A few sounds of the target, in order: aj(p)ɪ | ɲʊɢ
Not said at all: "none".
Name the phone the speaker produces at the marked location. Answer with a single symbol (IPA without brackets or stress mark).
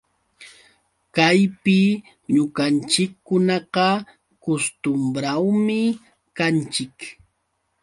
p